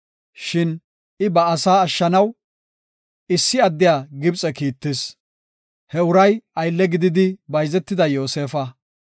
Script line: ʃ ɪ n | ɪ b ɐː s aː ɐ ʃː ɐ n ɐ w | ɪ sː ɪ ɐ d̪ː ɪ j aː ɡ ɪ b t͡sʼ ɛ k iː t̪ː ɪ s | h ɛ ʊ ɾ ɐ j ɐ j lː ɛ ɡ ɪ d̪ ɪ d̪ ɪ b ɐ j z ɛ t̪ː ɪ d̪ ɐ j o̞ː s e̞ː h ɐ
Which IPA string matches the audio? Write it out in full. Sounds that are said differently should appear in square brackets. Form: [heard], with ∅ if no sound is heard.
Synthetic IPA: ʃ ɪ n | ɪ b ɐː s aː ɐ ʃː ɐ n ɐ w | ɪ sː ɪ ɐ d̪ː ɪ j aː ɡ ɪ b t͡sʼ ɛ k iː t̪ː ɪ s | h ɛ ʊ ɾ ɐ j ɐ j lː ɛ ɡ ɪ d̪ ɪ d̪ ɪ b ɐ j z ɛ t̪ː ɪ d̪ ɐ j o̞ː s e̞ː [f] ɐ

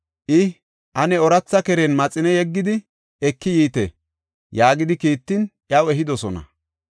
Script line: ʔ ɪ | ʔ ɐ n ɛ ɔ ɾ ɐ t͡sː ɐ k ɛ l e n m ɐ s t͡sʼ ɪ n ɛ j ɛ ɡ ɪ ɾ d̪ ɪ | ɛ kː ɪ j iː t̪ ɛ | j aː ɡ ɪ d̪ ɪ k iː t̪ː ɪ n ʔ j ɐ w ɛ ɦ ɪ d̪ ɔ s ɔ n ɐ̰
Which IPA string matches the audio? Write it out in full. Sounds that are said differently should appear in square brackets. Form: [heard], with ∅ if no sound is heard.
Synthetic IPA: ʔ ɪ | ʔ ɐ n ɛ ɔ ɾ ɐ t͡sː ɐ k ɛ [ɾ] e n m ɐ [∅] t͡sʼ ɪ n ɛ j ɛ [ɡː] ɪ [∅] d̪ ɪ | ɛ kː ɪ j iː t̪ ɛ | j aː ɡ ɪ d̪ ɪ k iː t̪ː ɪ n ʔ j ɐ w ɛ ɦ ɪ d̪ ɔ s ɔ n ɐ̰

